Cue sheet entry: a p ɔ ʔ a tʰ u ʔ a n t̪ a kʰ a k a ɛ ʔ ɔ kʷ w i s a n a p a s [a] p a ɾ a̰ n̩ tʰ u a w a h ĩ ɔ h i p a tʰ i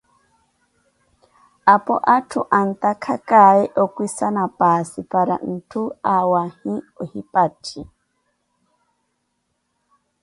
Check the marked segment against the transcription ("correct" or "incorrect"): incorrect